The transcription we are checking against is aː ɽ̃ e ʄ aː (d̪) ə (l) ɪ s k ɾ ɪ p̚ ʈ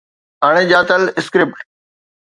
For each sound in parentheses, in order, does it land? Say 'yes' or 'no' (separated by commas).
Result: no, yes